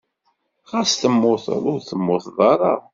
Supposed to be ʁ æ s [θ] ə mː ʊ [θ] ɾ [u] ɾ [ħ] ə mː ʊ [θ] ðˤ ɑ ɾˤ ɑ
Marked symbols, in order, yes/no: yes, yes, no, no, yes

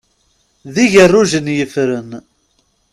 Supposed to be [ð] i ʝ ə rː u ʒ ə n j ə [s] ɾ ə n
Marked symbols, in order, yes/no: yes, no

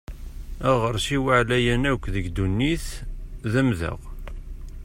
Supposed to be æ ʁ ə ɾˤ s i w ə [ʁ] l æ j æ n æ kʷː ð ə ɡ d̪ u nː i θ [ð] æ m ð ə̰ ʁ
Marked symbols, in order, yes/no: no, yes

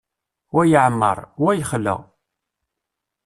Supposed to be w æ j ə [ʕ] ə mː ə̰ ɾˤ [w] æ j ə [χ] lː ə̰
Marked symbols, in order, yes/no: yes, yes, yes

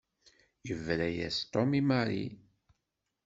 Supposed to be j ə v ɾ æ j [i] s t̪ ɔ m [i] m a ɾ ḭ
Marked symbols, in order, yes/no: no, yes

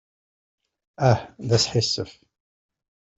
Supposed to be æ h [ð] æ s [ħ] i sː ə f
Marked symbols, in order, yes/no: yes, yes

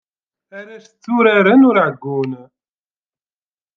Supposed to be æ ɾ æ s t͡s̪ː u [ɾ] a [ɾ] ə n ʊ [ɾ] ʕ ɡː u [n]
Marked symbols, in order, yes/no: yes, yes, yes, yes

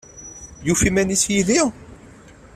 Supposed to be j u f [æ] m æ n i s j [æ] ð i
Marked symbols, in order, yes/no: no, no

